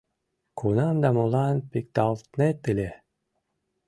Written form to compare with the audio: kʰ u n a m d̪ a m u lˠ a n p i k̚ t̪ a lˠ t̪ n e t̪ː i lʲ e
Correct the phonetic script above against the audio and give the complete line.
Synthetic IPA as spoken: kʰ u n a m d̪ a m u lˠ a n p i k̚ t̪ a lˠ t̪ n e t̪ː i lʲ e